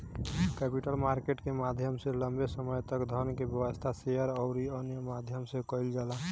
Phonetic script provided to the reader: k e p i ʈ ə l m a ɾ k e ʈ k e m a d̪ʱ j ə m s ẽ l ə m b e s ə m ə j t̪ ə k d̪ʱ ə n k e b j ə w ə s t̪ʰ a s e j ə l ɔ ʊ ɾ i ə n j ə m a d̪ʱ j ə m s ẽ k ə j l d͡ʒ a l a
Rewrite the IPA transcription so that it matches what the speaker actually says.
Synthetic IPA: k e p i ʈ ə l m a ɾ k e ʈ k e m a d̪ʱ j ə m s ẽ l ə m b e s ə m ə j t̪ ə k d̪ʱ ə n k e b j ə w ə s t̪ʰ a s e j ə ɾ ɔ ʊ ɾ i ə n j ə m a d̪ʱ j ə m s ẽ k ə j l d͡ʒ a l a